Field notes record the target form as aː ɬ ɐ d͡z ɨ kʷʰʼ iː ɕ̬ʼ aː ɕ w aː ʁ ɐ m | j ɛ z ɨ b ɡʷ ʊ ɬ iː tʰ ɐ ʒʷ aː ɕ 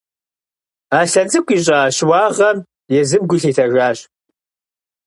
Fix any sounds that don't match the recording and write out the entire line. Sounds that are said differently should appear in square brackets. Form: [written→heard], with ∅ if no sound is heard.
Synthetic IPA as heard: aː ɬ ɐ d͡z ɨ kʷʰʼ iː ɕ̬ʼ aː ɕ w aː ʁ ɐ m | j ɛ z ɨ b ɡʷ ʊ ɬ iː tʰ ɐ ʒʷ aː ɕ